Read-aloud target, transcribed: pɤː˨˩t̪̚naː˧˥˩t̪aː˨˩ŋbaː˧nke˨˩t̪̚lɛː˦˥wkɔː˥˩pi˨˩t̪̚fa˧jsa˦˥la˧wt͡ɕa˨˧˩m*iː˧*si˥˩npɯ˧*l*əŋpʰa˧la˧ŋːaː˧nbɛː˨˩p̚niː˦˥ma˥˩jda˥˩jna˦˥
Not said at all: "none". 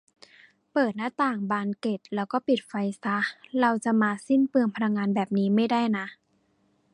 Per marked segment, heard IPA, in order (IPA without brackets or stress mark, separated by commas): aː˧, none